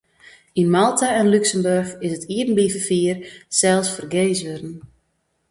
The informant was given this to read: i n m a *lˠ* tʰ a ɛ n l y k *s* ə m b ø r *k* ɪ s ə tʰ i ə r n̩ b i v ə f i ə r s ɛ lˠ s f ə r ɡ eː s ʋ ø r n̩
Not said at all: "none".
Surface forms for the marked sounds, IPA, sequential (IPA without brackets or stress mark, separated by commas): lˠ, s, x